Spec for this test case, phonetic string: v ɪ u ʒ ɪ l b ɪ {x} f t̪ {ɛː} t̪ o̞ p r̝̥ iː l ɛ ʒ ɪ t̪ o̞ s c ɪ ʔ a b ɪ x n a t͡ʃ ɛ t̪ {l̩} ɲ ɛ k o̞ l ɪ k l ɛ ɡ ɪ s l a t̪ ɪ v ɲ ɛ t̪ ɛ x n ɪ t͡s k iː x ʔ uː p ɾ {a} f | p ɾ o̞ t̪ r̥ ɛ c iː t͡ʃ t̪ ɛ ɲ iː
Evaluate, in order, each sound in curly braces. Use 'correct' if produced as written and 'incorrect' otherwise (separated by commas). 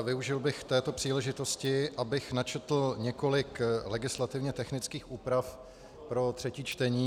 correct, correct, correct, correct